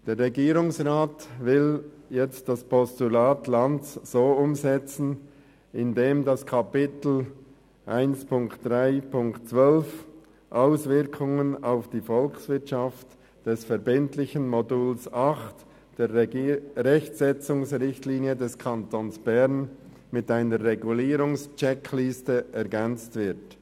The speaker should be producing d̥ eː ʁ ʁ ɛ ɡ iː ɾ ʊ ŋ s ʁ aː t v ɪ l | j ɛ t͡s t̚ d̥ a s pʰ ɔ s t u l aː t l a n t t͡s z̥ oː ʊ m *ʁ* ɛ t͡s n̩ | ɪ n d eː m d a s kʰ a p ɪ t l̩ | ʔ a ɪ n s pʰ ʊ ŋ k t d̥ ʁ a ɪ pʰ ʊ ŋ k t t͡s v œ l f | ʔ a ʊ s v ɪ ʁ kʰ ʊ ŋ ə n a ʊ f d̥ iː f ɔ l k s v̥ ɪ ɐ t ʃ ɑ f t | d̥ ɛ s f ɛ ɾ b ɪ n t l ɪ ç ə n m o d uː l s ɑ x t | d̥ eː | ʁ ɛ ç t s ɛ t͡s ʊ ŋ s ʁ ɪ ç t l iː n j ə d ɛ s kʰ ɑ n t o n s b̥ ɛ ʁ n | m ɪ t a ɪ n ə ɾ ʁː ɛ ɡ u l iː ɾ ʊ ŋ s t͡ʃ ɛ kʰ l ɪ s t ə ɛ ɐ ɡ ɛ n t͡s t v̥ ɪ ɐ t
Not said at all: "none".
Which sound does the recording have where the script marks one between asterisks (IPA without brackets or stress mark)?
z